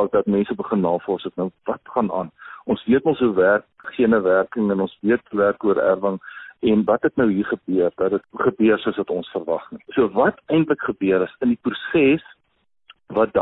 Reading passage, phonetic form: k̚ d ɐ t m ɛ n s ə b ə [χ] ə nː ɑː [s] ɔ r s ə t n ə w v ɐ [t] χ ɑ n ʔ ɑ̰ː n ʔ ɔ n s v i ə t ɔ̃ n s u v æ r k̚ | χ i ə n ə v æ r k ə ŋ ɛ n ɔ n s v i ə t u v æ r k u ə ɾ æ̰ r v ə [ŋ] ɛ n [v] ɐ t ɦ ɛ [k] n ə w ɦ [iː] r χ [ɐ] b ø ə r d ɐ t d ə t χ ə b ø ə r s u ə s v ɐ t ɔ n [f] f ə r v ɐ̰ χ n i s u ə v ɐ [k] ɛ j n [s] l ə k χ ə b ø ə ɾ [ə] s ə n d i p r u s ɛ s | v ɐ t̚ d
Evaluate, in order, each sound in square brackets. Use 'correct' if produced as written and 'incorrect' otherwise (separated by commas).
correct, incorrect, correct, correct, correct, incorrect, correct, incorrect, incorrect, incorrect, incorrect, correct